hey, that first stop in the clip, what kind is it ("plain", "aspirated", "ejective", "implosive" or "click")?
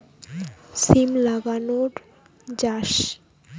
plain